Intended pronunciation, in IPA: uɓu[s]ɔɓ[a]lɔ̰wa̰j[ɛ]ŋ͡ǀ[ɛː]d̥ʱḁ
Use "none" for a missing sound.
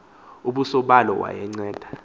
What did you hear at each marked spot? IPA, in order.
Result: s, a, ɛ, ɛː

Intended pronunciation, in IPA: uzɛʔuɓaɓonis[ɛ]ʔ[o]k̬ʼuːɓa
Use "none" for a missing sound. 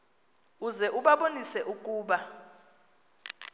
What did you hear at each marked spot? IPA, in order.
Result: ɛ, u

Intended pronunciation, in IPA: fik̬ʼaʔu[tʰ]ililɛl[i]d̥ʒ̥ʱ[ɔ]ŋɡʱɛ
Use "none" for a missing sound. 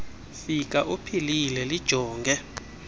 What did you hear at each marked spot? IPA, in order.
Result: pʰ, i, ɔː

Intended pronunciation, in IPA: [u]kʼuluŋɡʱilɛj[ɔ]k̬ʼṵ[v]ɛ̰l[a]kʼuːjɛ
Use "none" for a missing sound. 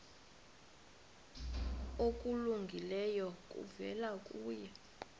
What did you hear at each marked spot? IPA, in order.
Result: o, ɔ, v, a

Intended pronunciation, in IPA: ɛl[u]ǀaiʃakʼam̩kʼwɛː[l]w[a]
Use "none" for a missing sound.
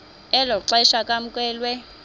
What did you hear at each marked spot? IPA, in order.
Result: ɔ, l, ɛ

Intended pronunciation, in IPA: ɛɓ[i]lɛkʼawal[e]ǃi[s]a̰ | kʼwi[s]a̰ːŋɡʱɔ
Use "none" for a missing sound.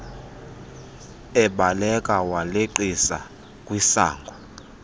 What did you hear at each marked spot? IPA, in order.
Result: a, e, s, s

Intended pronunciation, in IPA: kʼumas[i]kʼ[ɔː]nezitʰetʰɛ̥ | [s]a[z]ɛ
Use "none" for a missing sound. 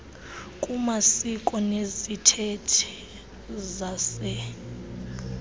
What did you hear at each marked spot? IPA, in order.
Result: i, ɔ, z, s

